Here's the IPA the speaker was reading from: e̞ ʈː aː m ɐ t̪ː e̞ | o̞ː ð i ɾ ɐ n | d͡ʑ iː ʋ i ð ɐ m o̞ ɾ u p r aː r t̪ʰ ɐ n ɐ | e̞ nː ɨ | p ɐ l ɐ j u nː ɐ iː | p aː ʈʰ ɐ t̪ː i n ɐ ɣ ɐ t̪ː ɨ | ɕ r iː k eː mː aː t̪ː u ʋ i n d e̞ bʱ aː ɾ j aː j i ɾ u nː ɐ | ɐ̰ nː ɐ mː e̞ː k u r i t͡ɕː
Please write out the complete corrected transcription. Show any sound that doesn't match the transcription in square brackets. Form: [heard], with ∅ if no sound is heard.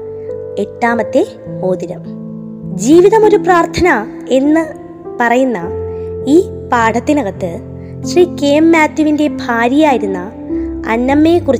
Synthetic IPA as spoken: e̞ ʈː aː m ɐ t̪ː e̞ | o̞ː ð i ɾ ɐ [m] | d͡ʑ iː ʋ i ð ɐ m o̞ ɾ u p r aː r t̪ʰ ɐ n ɐ | e̞ nː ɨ | p ɐ [r] ɐ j u nː ɐ iː | p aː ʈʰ ɐ t̪ː i n ɐ ɣ ɐ t̪ː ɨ | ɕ r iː k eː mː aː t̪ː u ʋ i n d e̞ bʱ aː ɾ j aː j i ɾ u nː ɐ | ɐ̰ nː ɐ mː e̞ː k u r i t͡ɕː